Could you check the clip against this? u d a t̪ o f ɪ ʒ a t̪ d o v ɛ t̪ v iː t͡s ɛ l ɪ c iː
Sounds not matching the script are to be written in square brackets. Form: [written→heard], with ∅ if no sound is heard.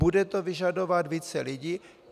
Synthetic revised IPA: u d [a→ɛ] t̪ o [f→v] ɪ ʒ a [t̪→∅] d o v [ɛ→a] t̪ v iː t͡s ɛ l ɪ [c→ɟ] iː